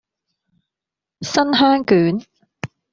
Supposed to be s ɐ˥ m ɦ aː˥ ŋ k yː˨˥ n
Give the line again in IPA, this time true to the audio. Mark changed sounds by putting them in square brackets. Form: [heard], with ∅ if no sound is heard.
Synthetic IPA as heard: s ɐ˥ [n] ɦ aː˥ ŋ k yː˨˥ n